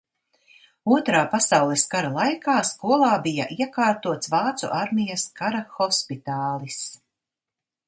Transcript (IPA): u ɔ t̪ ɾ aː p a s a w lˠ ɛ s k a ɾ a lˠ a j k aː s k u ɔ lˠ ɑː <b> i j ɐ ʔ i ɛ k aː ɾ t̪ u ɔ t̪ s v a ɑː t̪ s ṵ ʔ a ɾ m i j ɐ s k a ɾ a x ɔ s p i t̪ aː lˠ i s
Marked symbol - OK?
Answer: yes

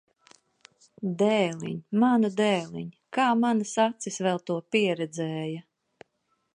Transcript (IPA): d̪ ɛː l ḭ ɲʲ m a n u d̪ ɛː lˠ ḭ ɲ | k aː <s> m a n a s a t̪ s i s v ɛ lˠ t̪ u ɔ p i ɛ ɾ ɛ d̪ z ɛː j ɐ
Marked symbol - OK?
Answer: no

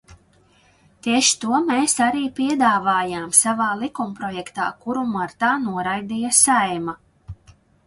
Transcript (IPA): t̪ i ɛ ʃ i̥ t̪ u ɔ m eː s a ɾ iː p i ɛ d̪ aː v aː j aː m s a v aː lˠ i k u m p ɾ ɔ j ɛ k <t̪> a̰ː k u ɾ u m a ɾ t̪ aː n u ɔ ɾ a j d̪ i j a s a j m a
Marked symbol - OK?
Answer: yes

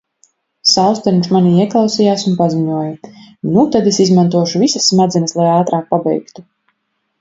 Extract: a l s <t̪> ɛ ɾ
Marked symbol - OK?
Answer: yes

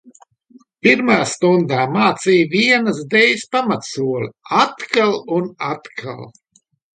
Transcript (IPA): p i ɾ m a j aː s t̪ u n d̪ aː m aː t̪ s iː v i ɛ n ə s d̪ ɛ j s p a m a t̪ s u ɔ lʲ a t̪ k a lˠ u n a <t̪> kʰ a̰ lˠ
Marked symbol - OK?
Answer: yes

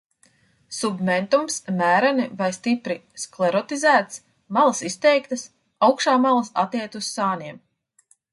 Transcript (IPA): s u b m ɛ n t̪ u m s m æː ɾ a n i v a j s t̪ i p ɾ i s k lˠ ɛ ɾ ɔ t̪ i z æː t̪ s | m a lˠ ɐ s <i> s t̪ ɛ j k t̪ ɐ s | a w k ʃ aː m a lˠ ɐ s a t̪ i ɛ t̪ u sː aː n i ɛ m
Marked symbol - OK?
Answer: yes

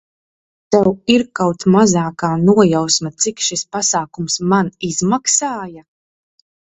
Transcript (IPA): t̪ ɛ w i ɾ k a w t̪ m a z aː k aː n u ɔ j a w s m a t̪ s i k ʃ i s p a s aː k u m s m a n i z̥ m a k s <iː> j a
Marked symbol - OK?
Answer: no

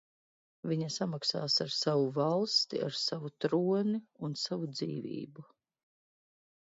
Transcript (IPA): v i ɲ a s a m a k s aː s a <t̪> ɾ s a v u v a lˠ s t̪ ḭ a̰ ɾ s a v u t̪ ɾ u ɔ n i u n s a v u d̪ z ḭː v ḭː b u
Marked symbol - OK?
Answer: no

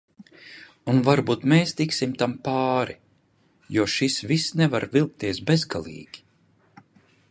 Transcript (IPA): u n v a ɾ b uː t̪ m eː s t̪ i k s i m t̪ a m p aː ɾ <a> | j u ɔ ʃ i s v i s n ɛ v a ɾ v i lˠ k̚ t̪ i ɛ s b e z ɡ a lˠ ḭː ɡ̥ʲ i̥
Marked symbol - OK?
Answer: no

